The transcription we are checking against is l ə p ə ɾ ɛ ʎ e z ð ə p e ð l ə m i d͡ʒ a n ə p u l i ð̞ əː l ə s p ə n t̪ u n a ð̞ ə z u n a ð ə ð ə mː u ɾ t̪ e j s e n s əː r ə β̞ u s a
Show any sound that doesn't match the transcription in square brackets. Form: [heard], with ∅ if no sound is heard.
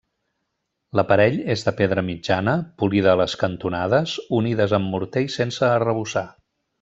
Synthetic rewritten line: l ə p ə ɾ ɛ ʎ e z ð ə p e ð [ɾ] ə m i d͡ʒ a n ə p u l i ð̞ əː l ə s [k] ə n t̪ u n a ð̞ ə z u n [i] ð ə [z] ə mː u ɾ t̪ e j s e n s əː r ə β̞ u s a